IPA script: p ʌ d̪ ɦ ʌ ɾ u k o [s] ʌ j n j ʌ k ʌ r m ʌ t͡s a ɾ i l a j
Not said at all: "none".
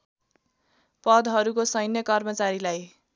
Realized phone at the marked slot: s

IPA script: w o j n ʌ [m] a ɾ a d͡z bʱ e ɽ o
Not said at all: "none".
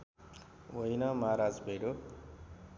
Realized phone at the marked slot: m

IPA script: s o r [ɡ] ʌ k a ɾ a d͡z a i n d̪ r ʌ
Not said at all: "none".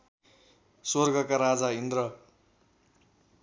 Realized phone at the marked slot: ɡ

